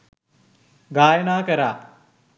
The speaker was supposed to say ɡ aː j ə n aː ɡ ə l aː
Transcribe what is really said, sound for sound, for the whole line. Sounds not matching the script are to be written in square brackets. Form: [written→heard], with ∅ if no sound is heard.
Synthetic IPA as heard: ɡ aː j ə n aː [ɡ→k] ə [l→ɾ] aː